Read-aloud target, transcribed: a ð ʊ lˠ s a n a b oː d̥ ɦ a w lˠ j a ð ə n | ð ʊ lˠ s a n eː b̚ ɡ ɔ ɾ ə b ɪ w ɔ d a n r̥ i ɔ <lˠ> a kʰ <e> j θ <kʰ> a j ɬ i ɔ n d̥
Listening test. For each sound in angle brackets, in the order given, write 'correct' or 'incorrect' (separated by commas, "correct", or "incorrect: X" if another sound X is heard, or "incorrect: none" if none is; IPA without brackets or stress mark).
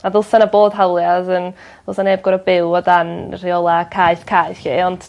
correct, incorrect: a, correct